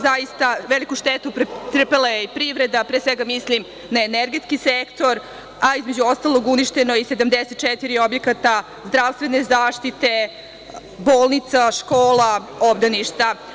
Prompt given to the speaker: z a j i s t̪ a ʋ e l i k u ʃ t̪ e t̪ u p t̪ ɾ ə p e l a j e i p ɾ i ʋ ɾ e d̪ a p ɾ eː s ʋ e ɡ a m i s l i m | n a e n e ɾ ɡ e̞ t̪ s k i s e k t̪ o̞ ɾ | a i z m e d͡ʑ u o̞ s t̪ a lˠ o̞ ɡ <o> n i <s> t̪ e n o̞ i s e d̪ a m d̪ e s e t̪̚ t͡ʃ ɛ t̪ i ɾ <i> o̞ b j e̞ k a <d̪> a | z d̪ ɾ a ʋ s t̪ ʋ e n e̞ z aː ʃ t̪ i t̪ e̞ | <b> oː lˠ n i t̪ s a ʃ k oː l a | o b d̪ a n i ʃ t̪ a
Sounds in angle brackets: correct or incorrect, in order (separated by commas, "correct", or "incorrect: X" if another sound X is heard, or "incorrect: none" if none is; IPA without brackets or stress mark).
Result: incorrect: u, incorrect: ʃ, correct, incorrect: t̪, correct